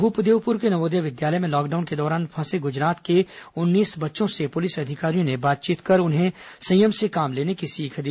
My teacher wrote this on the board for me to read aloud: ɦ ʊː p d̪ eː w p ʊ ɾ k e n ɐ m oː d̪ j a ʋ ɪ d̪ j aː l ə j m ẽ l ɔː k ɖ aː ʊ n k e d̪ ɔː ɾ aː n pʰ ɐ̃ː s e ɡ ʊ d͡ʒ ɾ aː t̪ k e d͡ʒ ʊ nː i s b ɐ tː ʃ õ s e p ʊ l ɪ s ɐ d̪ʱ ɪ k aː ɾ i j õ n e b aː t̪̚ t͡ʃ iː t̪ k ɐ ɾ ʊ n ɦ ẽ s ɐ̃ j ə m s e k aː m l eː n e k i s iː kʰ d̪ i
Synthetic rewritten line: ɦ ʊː p d̪ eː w p ʊ ɾ k e n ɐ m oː d̪ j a ʋ ɪ d̪ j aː l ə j m ẽ l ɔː k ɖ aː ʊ n k e d̪ ɔː ɾ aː n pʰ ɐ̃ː s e ɡ ʊ d͡ʒ ɾ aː t̪ k e ʊ nː iː s b ɐ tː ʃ õ s e p ʊ l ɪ s ɐ d̪ʱ ɪ k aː ɾ i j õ n e b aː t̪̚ t͡ʃ iː t̪ k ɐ ɾ ʊ n ɦ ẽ s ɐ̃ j ə m s e k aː m l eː n e k i s iː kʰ d̪ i